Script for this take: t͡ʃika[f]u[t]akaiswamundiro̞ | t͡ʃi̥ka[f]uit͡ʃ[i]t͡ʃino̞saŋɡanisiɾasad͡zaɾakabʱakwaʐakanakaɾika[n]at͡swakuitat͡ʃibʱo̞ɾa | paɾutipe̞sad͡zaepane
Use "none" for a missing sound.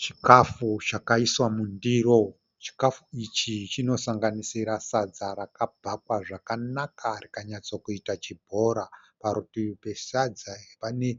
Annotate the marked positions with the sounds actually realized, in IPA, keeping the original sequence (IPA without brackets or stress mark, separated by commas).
f, t͡ʃ, f, i, ɲ